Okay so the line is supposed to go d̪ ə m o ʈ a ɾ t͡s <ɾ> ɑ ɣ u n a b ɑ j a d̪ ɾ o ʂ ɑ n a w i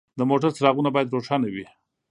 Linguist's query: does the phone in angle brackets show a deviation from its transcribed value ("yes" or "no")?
no